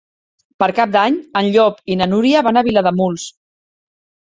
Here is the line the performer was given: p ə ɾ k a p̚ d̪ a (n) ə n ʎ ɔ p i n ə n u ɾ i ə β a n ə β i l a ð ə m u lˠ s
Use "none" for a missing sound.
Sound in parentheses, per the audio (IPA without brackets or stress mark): ɲ